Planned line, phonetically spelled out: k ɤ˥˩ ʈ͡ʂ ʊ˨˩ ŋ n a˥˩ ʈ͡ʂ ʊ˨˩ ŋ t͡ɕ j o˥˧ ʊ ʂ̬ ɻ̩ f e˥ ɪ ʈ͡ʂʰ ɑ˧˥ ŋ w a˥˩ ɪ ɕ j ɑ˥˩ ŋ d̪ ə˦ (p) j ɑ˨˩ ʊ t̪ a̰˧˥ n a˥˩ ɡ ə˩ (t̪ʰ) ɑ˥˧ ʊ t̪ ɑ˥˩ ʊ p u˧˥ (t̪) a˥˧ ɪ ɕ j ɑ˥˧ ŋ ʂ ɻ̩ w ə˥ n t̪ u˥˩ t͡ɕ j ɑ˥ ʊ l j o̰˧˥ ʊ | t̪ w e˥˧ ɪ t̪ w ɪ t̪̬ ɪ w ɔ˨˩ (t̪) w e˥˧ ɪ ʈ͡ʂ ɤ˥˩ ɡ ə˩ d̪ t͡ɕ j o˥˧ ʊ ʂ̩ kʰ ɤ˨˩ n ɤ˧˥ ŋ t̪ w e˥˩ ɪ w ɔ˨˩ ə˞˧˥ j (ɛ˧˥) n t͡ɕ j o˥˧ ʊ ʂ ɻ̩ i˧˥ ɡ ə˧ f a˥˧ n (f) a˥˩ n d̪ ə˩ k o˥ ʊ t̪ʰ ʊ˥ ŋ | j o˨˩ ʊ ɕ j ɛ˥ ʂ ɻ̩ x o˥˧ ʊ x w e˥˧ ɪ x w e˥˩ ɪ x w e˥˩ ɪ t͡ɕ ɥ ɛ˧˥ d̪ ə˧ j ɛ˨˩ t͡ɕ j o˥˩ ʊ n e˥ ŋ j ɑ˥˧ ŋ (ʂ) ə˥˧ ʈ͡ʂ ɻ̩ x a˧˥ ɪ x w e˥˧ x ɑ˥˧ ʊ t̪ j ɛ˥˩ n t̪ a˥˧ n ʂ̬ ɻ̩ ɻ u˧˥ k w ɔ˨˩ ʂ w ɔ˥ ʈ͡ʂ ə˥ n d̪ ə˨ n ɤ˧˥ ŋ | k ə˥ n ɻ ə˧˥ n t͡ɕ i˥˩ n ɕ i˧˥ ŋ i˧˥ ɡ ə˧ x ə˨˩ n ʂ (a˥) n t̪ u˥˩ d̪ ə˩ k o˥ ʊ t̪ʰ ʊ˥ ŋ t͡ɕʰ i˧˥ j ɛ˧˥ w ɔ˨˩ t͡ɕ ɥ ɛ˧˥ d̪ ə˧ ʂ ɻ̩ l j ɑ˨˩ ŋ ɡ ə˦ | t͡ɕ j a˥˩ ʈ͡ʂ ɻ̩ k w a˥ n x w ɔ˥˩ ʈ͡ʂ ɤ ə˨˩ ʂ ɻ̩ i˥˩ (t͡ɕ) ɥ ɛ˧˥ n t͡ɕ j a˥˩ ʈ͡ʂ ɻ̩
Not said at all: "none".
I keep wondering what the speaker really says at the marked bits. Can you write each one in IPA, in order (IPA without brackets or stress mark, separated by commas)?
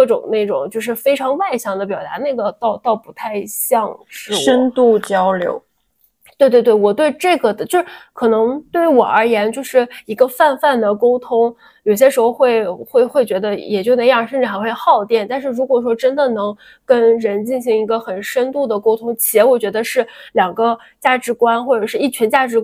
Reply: p, t̪, t̪ʰ, t̪, ɛ˧˥, f, ʂ, ə˥, t͡ɕʰ